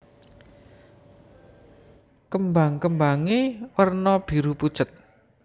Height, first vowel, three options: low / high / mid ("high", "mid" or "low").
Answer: mid